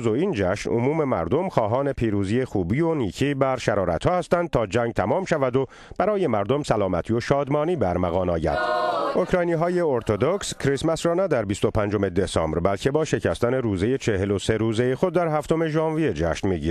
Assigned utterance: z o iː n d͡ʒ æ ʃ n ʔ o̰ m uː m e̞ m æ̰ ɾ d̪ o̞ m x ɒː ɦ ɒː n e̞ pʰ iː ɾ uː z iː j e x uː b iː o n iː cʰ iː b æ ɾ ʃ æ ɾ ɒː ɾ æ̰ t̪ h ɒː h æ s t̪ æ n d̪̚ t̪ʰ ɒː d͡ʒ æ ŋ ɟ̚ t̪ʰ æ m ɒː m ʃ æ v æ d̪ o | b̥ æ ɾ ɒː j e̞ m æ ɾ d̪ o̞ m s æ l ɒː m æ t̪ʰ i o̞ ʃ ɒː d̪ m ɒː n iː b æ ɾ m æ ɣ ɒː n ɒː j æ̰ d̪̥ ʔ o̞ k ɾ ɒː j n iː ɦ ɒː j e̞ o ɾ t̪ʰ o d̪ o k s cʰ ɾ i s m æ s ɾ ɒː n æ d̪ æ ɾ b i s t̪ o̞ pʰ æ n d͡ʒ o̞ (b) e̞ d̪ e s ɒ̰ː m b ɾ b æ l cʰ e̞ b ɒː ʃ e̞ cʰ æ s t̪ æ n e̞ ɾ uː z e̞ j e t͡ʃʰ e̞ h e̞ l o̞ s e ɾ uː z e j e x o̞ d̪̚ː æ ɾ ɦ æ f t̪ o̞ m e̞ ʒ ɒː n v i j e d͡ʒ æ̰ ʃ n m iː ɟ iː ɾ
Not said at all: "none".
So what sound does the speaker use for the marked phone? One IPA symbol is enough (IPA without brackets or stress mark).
m